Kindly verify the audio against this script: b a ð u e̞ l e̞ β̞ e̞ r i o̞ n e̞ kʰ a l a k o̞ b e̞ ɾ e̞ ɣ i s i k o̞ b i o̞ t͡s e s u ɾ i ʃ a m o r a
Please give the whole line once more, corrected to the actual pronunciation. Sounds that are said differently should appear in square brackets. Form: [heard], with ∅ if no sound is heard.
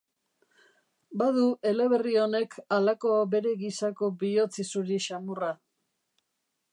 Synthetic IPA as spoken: b a ð u e̞ l e̞ β̞ e̞ r i o̞ n e̞ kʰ a l a k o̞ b e̞ ɾ e̞ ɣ i s [a] k o̞ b i o̞ t͡s [i] s u ɾ i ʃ a m [u] r a